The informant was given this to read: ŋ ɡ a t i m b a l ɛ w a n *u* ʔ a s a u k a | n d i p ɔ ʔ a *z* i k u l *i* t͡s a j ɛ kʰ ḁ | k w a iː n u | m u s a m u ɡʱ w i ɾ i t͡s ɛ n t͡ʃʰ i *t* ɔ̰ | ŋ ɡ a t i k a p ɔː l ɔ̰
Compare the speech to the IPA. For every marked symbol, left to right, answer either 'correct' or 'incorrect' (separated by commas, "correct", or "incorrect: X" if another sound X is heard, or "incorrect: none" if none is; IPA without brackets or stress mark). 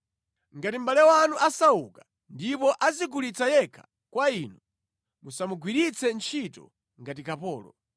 correct, correct, correct, correct